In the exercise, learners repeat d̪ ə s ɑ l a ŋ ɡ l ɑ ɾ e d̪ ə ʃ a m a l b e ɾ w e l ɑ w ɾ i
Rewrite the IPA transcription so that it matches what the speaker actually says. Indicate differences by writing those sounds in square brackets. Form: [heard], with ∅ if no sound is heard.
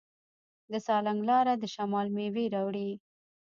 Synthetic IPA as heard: d̪ ə s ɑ l a ŋ ɡ l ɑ ɾ [a] d̪ ə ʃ a m [ɑ] l [m] e [∅] w e [ɾ] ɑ w [ɽ] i